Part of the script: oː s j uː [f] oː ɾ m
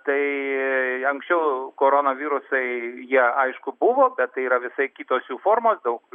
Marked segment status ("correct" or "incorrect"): correct